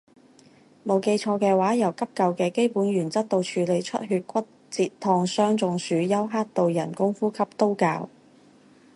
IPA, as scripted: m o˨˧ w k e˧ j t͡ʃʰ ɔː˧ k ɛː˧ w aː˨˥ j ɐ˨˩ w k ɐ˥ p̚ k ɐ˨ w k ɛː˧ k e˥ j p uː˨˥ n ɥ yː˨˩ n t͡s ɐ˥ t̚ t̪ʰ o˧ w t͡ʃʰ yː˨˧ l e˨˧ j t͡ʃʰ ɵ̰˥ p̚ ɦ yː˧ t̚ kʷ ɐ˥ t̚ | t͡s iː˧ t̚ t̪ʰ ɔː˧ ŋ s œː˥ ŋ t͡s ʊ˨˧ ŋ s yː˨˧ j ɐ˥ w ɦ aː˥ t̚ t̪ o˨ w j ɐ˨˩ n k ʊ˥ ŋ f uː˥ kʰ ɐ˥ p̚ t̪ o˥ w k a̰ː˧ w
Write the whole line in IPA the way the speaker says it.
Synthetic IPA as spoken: m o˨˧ w k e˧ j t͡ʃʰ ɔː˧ k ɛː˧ w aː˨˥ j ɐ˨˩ w k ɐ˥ p̚ k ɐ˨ w k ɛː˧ k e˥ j p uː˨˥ n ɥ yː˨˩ n t͡s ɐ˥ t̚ t̪ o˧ w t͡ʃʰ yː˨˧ l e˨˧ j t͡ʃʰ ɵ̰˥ t̚ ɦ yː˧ t̚ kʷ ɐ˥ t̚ | t͡s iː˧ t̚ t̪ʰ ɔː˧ ŋ s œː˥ ŋ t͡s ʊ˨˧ ŋ s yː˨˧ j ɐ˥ w ɦ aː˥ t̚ t̪ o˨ w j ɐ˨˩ n k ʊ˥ ŋ f uː˥ kʰ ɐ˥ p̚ t̪ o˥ w k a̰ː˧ w